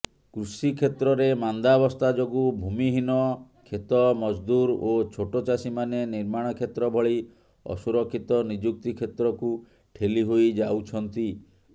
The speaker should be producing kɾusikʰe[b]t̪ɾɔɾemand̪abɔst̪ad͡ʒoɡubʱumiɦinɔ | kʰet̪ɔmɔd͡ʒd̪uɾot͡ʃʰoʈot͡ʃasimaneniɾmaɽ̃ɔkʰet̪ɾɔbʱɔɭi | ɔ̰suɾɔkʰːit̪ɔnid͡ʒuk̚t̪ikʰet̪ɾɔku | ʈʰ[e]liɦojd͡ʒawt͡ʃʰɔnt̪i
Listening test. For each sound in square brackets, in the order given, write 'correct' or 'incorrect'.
incorrect: none, correct

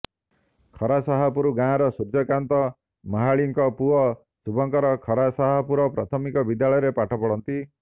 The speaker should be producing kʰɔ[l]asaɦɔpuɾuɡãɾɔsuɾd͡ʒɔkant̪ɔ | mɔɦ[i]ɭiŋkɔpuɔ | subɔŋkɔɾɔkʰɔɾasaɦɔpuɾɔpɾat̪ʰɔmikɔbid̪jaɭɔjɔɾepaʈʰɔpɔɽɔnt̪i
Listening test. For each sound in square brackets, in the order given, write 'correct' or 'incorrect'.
incorrect: ɾ, incorrect: a

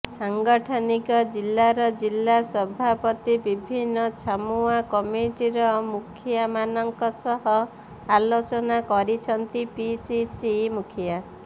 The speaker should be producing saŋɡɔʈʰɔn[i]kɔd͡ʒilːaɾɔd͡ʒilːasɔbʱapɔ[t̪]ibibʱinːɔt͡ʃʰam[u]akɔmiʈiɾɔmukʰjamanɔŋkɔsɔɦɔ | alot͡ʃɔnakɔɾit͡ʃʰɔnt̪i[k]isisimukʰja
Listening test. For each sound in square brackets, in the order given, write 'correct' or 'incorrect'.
correct, correct, correct, incorrect: p

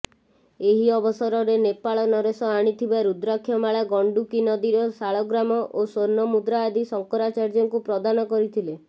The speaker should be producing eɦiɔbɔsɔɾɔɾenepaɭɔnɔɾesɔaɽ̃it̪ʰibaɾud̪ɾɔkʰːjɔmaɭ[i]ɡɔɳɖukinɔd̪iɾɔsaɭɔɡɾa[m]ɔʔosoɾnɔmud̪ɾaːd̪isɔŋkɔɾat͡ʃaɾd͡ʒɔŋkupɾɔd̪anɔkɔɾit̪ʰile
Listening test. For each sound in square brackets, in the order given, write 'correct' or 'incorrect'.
incorrect: a, correct

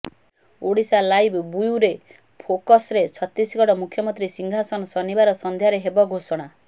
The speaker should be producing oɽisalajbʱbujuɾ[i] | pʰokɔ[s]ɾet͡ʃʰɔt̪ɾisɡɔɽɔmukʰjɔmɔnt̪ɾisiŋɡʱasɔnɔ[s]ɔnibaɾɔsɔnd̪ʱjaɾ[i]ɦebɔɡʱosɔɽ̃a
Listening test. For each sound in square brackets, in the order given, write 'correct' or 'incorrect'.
incorrect: e, correct, correct, incorrect: e

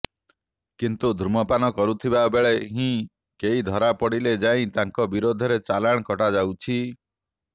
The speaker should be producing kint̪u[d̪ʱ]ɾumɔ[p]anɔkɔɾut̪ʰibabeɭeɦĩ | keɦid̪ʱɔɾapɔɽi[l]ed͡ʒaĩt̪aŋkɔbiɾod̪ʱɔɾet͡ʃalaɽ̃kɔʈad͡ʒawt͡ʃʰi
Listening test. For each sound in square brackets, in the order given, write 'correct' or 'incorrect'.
correct, correct, correct

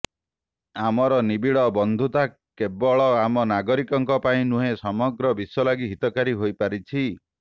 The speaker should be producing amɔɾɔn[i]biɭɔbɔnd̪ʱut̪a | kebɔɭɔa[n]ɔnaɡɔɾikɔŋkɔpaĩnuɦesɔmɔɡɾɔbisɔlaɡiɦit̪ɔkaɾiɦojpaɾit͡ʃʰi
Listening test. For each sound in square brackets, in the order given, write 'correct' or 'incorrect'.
correct, incorrect: m

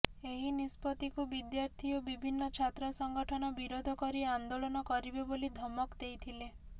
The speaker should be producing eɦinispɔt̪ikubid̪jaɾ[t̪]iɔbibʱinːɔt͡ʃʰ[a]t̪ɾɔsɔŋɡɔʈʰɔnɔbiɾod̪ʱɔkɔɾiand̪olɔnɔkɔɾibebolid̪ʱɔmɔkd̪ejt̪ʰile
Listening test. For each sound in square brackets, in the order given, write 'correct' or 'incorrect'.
incorrect: t̪ʰ, correct

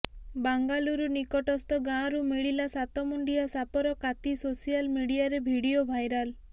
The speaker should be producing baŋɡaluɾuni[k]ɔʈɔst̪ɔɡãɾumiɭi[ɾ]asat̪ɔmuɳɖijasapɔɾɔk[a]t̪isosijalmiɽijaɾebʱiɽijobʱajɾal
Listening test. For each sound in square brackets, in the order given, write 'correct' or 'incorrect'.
correct, incorrect: l, correct

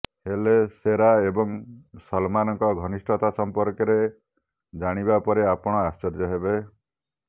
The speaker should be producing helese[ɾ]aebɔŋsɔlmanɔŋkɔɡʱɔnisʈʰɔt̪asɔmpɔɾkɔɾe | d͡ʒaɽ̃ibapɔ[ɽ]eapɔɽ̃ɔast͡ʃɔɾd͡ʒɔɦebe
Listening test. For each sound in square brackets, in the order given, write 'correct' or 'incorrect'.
correct, incorrect: ɾ

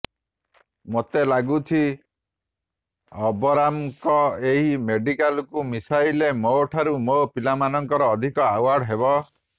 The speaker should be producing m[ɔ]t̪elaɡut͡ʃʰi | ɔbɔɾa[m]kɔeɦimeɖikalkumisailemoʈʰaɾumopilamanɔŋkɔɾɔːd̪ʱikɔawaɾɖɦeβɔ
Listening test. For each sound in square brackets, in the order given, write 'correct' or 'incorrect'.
incorrect: o, correct

